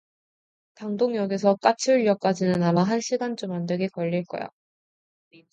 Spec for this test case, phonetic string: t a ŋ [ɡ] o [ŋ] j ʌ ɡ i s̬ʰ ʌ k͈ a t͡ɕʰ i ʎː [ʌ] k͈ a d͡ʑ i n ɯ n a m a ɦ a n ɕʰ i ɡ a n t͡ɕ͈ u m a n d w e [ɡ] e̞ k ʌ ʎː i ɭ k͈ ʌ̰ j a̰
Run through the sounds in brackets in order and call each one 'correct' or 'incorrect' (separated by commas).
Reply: incorrect, correct, correct, correct